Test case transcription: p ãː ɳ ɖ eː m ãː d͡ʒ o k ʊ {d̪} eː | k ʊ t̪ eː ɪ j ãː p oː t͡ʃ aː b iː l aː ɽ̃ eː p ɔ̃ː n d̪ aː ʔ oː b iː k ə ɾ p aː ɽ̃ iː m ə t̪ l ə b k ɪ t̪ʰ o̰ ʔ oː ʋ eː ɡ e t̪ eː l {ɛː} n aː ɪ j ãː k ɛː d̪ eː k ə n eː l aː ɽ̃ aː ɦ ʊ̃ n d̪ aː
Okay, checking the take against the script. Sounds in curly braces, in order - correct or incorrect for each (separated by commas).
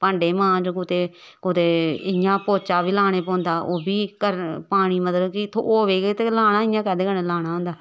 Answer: incorrect, incorrect